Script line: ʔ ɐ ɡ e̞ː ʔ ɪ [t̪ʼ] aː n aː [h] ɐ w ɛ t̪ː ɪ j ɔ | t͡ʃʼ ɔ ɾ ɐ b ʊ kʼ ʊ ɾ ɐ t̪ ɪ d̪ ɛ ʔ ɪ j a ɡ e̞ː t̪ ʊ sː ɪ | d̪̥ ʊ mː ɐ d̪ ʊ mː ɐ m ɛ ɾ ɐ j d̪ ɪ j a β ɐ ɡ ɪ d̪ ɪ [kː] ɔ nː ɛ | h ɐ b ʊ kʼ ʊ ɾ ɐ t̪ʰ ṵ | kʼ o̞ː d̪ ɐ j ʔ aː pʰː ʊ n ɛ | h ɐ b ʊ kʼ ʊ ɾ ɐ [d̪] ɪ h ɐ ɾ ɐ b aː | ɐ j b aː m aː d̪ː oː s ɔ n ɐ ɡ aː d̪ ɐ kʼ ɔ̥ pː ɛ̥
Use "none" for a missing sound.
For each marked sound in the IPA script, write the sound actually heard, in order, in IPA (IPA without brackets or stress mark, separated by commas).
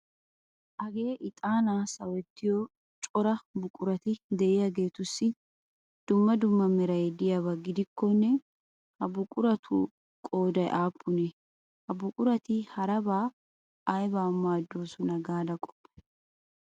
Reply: t̪ʼ, s, kː, t̪